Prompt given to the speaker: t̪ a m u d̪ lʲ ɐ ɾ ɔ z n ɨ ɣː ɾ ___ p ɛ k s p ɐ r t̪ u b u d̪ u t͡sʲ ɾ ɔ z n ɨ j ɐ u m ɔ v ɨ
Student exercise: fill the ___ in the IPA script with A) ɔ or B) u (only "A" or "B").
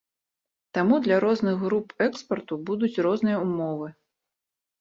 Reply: B